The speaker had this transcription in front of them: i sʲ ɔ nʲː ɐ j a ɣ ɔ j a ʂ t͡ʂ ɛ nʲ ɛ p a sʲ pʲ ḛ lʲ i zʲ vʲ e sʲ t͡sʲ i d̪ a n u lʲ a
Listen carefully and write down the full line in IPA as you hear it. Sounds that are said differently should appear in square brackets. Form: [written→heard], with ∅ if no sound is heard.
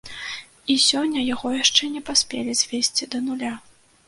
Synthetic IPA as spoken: i sʲ ɔ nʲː ɐ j a ɣ ɔ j a ʂ t͡ʂ ɛ nʲ ɛ p a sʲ pʲ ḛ lʲ i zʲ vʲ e sʲ t͡sʲ i d̪ [a→ɐ] n u lʲ a